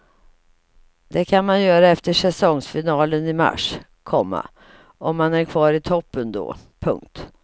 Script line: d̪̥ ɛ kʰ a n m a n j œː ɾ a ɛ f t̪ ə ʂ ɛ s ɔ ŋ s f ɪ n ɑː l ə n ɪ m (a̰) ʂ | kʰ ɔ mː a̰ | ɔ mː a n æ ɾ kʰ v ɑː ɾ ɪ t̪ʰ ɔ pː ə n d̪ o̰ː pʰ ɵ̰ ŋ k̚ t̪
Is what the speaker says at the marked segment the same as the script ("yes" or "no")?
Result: yes